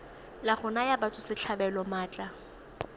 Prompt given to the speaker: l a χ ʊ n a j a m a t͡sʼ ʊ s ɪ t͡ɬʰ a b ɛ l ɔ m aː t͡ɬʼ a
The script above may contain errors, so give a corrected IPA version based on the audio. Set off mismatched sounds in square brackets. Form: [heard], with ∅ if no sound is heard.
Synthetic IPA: l a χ ʊ n a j a [b] a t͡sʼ ʊ s ɪ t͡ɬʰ a b ɛ l ɔ m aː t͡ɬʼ a

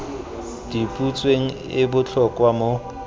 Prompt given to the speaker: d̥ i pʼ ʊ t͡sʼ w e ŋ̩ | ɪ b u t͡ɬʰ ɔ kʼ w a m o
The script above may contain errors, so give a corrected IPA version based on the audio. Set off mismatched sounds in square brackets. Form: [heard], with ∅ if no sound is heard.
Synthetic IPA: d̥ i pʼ [u] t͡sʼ w e ŋ̩ | ɪ b [ʊ] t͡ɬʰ ɔ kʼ w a m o

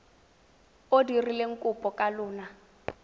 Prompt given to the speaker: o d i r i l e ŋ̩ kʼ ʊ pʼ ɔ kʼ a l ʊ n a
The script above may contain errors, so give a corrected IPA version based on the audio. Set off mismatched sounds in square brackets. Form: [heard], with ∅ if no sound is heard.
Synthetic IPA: o d i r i l e ŋ̩ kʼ ʊ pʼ ɔ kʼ a l [ʊː] n a

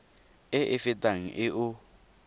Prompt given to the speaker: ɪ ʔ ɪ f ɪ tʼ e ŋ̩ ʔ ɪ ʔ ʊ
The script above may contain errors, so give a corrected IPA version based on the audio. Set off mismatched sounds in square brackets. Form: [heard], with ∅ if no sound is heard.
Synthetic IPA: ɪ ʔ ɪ f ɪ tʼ [a] ŋ̩ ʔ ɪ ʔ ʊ

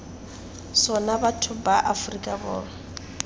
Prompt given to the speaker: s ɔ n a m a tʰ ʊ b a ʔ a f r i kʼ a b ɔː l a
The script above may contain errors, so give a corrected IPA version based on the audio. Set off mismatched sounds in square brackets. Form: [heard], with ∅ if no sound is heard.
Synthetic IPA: s ɔ n a [b] a tʰ ʊ b a ʔ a f r i kʼ a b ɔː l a

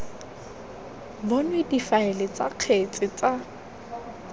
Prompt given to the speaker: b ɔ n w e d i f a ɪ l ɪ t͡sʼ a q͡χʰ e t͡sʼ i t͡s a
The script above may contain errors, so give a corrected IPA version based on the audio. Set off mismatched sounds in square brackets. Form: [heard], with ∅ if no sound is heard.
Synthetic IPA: b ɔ n w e d i f a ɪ l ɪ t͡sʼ a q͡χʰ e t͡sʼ [ɪ] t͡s a

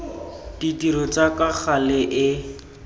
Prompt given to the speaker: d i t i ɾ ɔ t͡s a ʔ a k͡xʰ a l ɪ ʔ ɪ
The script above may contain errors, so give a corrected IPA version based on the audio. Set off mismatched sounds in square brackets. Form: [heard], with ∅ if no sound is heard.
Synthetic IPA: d i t i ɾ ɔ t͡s a [k] a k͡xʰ a l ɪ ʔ ɪ

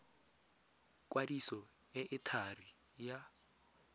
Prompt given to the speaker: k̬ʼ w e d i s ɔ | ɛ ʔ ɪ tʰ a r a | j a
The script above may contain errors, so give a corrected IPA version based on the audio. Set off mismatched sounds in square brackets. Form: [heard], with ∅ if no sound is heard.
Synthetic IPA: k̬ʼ w [a] d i s ɔ | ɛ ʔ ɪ tʰ a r [i] | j a

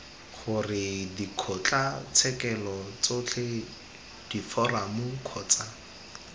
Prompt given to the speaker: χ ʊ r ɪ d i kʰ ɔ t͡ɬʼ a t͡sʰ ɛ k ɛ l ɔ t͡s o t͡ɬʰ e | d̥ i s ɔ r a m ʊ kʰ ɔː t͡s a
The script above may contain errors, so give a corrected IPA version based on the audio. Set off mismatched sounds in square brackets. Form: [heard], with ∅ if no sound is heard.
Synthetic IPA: χ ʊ r ɪ d i kʰ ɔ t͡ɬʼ a t͡sʰ ɛ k ɛ l ɔ t͡s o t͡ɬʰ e | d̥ i [f] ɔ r a m ʊ kʰ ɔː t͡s a

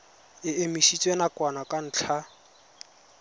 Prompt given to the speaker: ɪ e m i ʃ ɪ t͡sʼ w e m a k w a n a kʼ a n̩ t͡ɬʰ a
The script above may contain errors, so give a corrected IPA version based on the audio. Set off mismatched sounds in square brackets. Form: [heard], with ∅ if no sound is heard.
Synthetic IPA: ɪ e m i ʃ [i] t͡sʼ w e [n] a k w a n a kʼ a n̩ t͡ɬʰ a

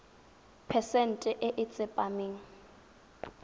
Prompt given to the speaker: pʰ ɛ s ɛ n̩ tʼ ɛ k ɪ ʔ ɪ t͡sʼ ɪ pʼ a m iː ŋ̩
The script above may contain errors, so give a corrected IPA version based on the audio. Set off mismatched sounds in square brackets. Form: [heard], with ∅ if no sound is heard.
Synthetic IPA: pʰ ɛ s ɛ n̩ tʼ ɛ [ʔ] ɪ ʔ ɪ t͡sʼ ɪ pʼ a m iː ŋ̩

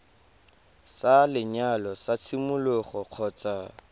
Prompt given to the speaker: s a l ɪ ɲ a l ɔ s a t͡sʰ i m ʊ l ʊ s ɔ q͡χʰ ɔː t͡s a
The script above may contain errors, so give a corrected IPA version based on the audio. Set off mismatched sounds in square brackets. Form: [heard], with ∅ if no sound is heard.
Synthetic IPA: s a l ɪ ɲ a l ɔ s a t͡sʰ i m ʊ l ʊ [χ] ɔ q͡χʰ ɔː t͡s a

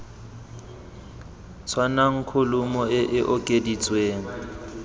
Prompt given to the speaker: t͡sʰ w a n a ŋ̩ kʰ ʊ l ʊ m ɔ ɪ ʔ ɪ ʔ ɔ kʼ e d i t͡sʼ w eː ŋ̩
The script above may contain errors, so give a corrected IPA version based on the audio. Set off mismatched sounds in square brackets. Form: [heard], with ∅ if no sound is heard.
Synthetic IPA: t͡sʰ w a n a ŋ̩ kʰ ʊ l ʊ m ɔ ɪ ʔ ɪ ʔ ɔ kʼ e d i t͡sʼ w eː ŋ̩

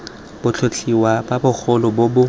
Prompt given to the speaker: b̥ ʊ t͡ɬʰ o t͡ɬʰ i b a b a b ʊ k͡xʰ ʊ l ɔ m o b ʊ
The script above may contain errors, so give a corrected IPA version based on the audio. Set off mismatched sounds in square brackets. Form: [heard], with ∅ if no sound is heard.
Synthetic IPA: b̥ ʊ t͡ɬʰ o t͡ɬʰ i [w] a b a b ʊ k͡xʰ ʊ l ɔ [b] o b ʊ

